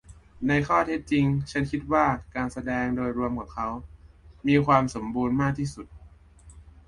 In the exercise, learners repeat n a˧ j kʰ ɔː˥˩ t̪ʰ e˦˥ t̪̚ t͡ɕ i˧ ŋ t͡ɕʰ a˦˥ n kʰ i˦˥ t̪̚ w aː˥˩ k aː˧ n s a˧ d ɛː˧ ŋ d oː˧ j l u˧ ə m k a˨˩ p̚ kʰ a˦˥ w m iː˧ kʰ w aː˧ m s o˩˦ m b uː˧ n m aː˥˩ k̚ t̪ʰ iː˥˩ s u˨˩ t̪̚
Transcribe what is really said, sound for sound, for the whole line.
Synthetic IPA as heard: n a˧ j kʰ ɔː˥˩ t̪ʰ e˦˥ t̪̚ t͡ɕ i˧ ŋ t͡ɕʰ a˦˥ n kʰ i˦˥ t̪̚ w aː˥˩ k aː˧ n s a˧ d ɛː˧ ŋ d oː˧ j ɾ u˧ ə m k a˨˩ p̚ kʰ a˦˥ w m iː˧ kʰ w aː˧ m s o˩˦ m b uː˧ n m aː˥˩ k̚ t̪ʰ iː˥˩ s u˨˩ t̪̚